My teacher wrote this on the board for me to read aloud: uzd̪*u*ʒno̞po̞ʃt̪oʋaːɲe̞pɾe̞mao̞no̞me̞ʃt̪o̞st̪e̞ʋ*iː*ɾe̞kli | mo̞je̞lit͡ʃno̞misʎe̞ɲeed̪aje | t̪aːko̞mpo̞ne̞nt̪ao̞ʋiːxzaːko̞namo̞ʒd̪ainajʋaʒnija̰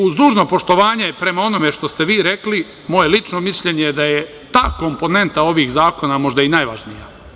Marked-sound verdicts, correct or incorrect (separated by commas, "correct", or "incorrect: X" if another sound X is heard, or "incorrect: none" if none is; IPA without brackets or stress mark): incorrect: uː, correct